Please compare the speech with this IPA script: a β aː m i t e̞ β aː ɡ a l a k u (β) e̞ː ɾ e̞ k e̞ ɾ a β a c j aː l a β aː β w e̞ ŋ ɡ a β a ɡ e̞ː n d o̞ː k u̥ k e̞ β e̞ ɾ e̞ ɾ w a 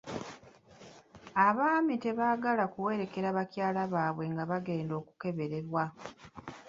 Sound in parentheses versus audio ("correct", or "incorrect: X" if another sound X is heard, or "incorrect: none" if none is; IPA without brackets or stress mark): incorrect: w